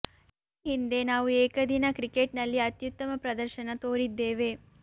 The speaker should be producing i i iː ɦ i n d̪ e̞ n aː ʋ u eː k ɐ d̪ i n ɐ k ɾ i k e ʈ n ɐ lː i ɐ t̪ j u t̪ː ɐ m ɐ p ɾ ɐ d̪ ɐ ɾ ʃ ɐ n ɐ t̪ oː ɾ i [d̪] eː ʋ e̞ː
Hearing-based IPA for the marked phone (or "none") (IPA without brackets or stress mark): d̪ː